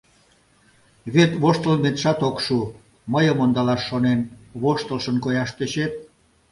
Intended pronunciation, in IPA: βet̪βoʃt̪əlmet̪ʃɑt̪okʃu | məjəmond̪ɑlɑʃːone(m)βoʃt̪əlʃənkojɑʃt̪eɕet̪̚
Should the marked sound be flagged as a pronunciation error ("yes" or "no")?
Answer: yes